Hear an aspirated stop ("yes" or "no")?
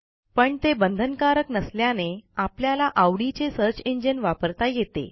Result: no